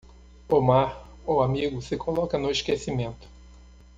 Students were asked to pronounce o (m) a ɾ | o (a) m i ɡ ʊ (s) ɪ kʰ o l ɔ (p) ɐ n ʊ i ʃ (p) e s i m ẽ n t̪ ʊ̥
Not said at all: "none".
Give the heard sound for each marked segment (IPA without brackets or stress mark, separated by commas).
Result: m, a, s, k, k